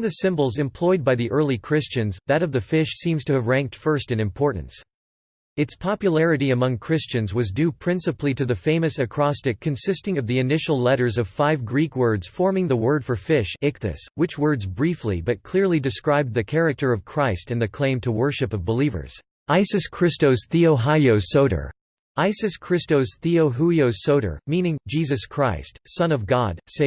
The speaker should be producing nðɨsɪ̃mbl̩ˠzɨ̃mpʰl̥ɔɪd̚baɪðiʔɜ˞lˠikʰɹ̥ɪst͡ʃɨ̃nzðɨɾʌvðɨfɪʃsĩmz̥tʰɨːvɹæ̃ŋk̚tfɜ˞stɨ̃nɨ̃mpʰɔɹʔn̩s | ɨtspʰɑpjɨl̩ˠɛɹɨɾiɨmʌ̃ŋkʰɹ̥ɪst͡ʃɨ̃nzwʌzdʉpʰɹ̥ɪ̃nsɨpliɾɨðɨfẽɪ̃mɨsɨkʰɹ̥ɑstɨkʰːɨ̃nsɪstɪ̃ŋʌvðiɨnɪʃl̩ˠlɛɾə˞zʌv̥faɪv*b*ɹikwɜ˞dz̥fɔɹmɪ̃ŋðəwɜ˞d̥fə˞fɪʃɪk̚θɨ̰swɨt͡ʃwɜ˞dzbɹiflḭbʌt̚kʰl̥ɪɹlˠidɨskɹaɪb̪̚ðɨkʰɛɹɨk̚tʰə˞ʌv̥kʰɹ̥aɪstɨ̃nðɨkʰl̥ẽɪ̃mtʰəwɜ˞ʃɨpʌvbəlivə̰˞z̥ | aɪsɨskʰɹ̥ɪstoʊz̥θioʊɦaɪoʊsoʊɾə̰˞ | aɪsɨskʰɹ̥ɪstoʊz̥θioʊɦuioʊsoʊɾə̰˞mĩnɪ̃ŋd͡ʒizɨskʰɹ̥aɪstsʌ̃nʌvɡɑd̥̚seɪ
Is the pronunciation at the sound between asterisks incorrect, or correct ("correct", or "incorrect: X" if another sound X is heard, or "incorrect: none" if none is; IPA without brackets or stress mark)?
incorrect: ɡ